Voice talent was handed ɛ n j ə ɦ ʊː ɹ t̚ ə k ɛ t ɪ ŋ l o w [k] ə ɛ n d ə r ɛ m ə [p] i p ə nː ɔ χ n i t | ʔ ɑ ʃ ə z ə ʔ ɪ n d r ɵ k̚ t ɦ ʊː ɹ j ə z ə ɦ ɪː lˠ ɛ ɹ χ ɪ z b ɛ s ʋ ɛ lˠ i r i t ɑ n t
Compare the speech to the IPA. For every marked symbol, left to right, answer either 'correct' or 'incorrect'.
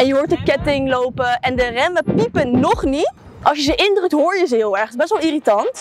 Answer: incorrect: p, correct

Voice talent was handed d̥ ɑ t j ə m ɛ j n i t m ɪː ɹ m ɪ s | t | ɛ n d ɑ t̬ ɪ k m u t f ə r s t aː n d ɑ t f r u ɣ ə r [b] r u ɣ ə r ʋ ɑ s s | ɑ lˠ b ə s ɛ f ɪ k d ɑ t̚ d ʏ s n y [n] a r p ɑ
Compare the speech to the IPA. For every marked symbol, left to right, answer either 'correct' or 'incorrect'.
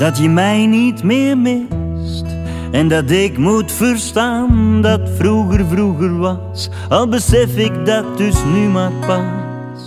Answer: incorrect: v, incorrect: m

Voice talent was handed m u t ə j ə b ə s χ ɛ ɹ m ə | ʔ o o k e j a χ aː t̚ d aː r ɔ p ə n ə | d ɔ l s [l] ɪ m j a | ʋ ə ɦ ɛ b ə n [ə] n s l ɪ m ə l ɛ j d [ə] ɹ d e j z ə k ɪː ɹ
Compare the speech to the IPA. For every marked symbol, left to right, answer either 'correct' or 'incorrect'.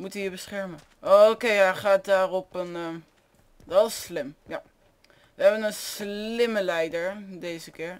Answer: correct, correct, correct

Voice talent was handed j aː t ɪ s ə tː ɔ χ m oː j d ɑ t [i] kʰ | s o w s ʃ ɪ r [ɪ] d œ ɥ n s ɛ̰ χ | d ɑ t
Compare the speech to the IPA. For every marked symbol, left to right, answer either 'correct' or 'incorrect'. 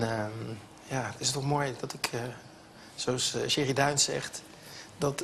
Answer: incorrect: ɪ, incorrect: i

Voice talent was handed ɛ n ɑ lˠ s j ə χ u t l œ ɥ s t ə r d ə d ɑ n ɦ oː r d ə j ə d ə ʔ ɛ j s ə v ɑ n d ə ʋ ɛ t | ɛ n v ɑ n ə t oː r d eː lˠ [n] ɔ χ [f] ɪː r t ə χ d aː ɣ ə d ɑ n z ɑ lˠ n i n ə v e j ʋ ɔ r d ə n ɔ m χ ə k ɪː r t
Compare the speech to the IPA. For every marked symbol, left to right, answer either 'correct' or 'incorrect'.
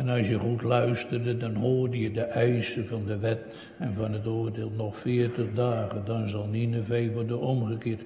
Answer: correct, correct

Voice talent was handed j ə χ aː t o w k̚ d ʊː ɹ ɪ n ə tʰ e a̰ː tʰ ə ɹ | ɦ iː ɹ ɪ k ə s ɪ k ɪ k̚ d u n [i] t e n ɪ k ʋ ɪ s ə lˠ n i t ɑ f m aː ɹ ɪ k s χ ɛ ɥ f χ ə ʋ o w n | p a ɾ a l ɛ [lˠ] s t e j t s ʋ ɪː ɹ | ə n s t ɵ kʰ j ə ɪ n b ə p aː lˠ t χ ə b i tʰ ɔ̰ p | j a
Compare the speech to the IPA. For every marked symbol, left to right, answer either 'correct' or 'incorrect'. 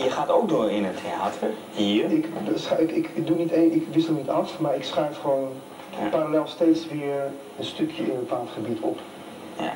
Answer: correct, correct

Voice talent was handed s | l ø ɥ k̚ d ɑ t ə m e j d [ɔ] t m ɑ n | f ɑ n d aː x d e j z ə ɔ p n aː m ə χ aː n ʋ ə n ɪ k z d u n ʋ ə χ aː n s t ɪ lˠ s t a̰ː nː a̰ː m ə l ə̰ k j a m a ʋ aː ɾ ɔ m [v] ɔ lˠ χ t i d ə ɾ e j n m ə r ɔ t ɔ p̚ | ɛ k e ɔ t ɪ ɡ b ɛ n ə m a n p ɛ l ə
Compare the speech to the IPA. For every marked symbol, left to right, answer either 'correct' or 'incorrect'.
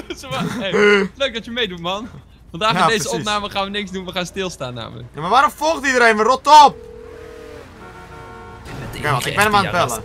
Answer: incorrect: u, incorrect: f

